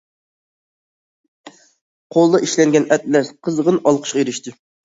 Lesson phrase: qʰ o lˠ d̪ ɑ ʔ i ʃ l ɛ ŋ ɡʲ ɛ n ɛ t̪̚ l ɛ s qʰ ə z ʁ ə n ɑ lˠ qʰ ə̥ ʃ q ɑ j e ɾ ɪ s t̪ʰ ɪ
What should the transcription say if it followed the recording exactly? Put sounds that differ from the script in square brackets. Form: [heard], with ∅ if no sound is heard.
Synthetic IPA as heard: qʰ o lˠ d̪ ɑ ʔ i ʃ l ɛ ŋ ɡʲ ɛ n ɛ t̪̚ l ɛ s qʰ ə z ʁ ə n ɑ lˠ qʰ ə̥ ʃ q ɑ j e ɾ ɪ [ʃ] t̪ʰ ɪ

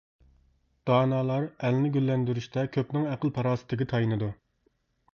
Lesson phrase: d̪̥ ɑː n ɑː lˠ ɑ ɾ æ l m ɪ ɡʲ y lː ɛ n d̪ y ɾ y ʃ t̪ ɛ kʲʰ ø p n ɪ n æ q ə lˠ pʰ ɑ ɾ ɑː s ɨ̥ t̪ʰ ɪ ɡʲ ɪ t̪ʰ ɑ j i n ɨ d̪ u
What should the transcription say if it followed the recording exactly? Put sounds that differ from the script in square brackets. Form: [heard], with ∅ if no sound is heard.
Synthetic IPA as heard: d̪̥ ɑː n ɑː lˠ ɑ ɾ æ l [n] ɪ ɡʲ y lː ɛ n d̪ y ɾ y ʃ t̪ ɛ kʲʰ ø p n ɪ [ŋ] æ q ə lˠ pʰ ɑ ɾ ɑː s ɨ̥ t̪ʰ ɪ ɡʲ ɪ t̪ʰ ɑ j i n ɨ d̪ u

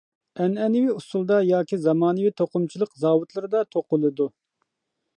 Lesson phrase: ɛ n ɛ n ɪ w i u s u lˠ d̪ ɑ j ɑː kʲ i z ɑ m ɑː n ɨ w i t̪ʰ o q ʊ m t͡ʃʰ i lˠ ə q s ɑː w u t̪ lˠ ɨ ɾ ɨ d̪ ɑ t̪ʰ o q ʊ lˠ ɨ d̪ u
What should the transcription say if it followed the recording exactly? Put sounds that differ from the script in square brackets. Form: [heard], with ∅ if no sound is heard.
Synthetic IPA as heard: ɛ n ɛ n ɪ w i u s u lˠ d̪ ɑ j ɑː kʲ i z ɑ m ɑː n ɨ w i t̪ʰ o q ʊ m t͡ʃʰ i lˠ ə q [z] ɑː w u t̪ lˠ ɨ ɾ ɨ d̪ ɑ t̪ʰ o q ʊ lˠ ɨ d̪ u

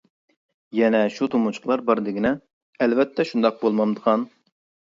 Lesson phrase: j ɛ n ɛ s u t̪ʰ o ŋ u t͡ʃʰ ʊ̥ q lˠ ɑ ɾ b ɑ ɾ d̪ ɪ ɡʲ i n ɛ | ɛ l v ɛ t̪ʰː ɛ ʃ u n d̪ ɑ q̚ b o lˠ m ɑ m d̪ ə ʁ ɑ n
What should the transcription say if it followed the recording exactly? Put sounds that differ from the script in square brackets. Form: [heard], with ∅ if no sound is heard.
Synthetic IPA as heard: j ɛ n ɛ [ʃ] u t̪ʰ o [m] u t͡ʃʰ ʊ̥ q lˠ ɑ ɾ b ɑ ɾ d̪ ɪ ɡʲ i n ɛ | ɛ l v ɛ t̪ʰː ɛ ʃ u n d̪ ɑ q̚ b o lˠ m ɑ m d̪ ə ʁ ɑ n

